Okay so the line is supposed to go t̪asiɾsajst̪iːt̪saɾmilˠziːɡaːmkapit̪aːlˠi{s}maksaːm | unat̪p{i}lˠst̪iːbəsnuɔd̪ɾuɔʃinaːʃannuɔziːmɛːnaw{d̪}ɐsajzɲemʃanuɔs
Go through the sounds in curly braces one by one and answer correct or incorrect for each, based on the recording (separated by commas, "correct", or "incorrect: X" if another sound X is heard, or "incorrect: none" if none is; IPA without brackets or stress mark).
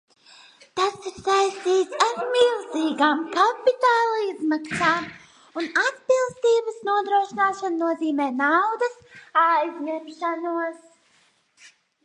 incorrect: z, correct, correct